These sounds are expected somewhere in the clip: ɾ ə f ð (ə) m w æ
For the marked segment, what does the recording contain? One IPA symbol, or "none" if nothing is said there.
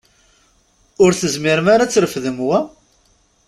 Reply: ə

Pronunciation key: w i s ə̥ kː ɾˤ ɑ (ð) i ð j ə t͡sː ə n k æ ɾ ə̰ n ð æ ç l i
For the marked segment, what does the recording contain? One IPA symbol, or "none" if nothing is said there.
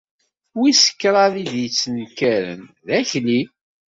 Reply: ð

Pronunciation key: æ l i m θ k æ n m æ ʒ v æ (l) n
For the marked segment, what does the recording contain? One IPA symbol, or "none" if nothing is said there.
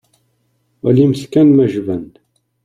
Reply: none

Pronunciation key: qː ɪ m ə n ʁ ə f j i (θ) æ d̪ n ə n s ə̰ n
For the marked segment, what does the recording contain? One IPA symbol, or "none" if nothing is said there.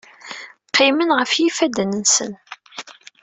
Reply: f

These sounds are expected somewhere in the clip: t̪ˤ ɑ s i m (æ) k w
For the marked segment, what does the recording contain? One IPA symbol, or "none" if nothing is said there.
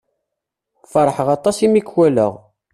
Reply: i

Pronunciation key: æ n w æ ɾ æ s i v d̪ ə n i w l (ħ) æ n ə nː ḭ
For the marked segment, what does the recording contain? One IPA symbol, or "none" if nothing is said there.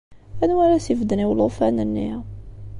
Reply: f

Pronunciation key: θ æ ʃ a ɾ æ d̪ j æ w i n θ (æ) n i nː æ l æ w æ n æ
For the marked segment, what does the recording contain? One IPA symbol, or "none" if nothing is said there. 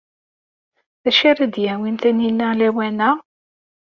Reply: æ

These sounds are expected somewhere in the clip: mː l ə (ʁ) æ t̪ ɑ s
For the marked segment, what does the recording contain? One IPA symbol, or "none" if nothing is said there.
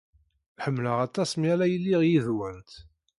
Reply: ʁ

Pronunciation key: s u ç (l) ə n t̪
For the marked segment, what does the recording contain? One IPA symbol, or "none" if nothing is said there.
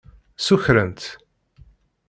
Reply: ɾ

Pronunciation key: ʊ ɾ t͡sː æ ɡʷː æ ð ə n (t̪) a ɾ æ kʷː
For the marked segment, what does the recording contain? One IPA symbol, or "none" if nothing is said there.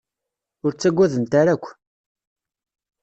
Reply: t̪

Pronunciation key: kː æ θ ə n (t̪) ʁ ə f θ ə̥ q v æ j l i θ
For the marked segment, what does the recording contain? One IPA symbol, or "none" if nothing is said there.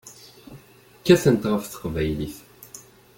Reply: t̪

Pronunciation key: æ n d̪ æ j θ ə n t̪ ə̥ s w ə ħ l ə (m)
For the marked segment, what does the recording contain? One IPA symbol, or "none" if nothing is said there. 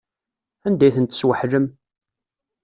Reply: m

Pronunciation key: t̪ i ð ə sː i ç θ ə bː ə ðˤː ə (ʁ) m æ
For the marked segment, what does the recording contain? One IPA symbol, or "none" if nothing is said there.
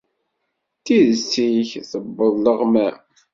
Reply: ʁ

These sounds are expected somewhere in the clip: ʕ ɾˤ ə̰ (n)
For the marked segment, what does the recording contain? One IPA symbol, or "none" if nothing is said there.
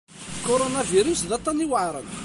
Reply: n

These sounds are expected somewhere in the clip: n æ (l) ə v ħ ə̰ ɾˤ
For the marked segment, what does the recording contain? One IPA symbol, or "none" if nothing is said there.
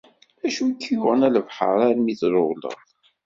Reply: l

